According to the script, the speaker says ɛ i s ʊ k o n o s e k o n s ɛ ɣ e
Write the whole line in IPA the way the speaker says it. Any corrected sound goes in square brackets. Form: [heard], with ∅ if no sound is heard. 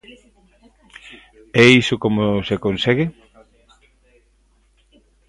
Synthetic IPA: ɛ i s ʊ k o [m] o s e k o n s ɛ ɣ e